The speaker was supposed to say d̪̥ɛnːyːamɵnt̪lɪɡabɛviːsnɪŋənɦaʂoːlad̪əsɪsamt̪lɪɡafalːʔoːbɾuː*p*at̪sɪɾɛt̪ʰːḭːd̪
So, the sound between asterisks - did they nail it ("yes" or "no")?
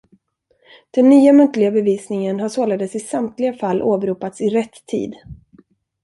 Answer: yes